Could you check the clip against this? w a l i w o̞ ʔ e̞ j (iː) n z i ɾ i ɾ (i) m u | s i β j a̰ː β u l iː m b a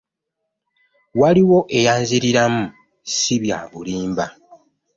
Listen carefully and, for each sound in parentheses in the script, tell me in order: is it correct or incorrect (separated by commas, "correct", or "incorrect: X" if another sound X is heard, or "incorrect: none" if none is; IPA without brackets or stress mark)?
incorrect: aː, incorrect: a